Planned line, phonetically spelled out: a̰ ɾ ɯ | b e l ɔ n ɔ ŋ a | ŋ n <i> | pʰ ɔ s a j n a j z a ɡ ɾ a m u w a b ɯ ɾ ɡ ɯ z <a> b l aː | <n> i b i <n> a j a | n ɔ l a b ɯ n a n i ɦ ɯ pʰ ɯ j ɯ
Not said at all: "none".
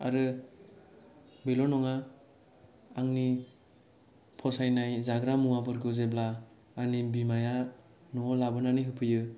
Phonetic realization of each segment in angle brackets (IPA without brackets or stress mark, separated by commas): i, e, n, m